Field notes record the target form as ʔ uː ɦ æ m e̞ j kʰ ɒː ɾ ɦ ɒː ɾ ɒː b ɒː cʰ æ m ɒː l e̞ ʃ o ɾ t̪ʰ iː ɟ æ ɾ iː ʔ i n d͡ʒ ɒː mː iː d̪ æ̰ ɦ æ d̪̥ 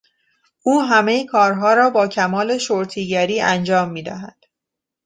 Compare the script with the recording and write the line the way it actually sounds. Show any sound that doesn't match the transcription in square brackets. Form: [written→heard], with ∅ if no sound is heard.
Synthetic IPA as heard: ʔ uː ɦ æ m e̞ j kʰ ɒː ɾ ɦ ɒː ɾ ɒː b ɒː cʰ æ m ɒː l e̞ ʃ o ɾ t̪ʰ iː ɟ æ ɾ iː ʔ [i→æ] n d͡ʒ ɒː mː iː d̪ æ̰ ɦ æ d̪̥

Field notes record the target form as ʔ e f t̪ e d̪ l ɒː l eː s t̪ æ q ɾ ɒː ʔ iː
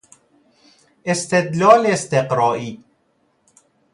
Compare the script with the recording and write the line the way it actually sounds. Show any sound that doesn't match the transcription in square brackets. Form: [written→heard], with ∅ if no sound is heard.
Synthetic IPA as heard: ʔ e [f→s] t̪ e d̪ l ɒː l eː s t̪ [æ→e] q ɾ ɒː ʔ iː

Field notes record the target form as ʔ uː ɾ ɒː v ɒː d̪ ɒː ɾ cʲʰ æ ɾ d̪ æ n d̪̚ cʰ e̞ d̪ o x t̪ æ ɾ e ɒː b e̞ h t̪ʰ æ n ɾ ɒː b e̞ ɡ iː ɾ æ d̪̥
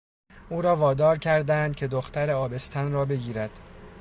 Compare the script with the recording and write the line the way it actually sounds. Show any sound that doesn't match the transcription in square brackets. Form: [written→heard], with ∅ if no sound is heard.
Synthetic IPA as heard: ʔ uː ɾ ɒː v ɒː d̪ ɒː ɾ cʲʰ æ ɾ d̪ æ n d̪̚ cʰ e̞ d̪ o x t̪ æ ɾ e ɒː b e̞ [h→s] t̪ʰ æ n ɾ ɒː b e̞ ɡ iː ɾ æ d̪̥

